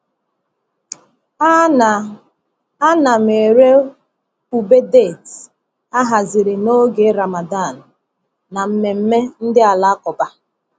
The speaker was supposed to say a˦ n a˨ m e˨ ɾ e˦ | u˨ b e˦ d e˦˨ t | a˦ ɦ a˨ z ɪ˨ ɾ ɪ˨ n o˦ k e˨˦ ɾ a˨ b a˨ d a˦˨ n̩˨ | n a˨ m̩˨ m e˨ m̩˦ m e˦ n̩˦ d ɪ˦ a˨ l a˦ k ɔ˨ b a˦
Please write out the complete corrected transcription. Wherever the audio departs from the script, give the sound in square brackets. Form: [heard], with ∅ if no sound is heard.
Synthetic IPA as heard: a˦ n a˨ m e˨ ɾ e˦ | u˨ b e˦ d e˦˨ t | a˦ ɦ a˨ z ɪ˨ ɾ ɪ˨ n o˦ [ɡ] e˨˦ ɾ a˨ [m] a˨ d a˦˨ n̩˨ | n a˨ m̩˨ m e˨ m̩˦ m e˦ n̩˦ d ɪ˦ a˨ l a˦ k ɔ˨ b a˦